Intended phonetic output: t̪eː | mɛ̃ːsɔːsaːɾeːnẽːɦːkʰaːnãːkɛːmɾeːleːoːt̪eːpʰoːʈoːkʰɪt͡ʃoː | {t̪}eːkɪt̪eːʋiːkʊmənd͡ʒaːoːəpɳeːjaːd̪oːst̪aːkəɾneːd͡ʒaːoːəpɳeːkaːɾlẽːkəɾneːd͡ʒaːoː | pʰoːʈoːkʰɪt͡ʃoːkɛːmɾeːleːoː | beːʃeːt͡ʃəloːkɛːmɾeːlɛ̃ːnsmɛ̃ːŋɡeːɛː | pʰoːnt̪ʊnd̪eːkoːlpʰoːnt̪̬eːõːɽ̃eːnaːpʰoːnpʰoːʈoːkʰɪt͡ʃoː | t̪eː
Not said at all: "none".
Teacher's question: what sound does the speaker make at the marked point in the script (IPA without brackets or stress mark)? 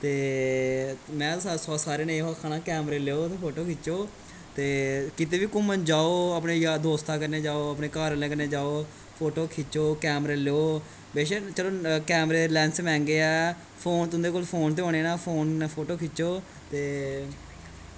t̪